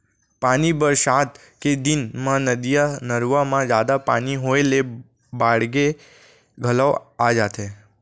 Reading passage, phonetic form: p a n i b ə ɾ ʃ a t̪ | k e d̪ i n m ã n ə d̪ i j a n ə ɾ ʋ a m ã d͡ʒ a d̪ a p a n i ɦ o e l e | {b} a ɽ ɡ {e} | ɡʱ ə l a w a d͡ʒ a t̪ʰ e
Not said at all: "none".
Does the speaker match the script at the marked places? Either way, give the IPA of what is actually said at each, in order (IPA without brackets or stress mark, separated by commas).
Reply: b, e